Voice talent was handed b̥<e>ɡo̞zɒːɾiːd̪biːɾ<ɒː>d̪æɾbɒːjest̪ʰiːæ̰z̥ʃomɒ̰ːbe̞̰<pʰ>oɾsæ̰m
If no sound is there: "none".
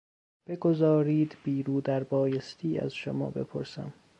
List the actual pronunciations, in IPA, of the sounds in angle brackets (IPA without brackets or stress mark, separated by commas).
e, uː, pʰ